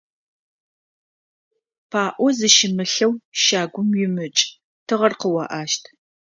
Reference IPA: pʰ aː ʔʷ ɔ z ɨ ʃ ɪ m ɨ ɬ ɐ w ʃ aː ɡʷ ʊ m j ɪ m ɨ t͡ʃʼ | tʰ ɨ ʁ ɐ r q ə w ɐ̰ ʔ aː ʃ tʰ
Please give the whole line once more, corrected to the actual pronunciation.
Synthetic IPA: pʰ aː ʔʷ ɔ z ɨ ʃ ɪ m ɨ ɬ ɐ w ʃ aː ɡʷ ʊ m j ɪ m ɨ t͡ʃʼ | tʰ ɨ ʁ ɐ r q ə w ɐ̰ ʔ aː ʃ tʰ